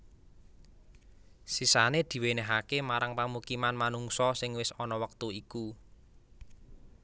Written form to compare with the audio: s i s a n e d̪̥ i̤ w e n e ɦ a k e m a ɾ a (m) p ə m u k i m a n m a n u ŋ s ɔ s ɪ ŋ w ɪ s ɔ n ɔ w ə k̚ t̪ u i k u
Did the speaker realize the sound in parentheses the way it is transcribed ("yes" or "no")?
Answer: no